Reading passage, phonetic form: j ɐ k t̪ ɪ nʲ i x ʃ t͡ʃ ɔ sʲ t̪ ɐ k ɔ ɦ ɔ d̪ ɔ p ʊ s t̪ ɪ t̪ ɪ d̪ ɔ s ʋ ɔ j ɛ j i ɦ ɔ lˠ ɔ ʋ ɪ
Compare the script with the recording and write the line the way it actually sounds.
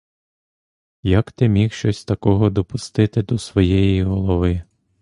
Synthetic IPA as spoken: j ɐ k t̪ ɪ mʲ i x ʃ t͡ʃ ɔ sʲ t̪ ɐ k ɔ ɦ ɔ d̪ ɔ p ʊ s t̪ ɪ t̪ ɪ d̪ ɔ s ʋ ɔ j ɛ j i ɦ ɔ lˠ ɔ ʋ ɪ